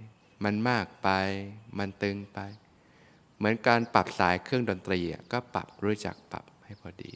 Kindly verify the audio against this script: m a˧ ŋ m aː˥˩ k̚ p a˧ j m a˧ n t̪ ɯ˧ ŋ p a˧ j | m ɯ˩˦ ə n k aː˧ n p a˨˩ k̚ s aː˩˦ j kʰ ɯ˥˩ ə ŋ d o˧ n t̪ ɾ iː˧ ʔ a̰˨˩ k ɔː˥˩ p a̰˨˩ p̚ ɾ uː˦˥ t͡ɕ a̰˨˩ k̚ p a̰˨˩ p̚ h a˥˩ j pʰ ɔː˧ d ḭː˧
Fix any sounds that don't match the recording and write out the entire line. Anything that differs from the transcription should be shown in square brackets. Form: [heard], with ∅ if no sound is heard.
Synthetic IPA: m a˧ [n] m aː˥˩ k̚ p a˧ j m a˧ n t̪ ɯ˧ ŋ p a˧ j | m ɯ˩˦ ə n k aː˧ n p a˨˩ [p̚] s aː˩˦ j kʰ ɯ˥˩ ə ŋ d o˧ n t̪ ɾ iː˧ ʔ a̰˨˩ k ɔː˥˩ p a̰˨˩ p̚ ɾ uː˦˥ t͡ɕ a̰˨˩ k̚ p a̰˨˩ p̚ h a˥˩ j pʰ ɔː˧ d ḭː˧